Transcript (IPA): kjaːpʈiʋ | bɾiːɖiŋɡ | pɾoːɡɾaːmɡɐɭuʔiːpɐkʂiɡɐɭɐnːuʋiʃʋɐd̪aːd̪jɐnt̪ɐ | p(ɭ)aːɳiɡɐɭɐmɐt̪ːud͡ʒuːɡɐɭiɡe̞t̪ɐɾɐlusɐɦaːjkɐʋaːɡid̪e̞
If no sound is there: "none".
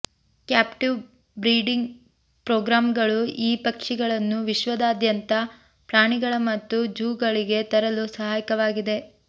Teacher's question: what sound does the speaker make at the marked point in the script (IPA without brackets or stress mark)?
ɾ